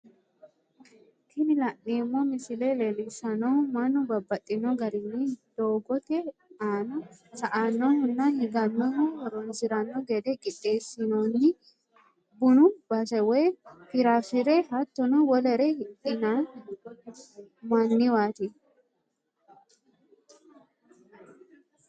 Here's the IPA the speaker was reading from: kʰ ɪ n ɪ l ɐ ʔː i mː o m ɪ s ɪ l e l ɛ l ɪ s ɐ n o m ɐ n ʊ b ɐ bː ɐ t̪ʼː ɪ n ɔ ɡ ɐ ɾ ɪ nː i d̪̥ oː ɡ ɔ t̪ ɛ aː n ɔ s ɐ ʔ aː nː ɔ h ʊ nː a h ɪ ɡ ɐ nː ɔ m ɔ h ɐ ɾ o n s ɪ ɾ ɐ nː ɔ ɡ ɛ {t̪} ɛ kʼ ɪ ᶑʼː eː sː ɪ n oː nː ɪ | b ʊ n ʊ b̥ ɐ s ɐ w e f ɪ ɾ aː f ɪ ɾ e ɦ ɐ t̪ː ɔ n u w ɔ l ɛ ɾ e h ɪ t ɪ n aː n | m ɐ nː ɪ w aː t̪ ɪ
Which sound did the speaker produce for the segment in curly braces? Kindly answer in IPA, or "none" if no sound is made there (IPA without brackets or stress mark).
d̪